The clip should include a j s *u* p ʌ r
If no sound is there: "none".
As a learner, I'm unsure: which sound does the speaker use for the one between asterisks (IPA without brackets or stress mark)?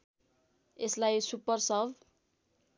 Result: u